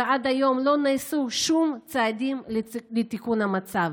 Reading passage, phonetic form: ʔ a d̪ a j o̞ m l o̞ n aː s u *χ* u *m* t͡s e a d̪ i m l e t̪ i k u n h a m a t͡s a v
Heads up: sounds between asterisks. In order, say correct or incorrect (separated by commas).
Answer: incorrect, correct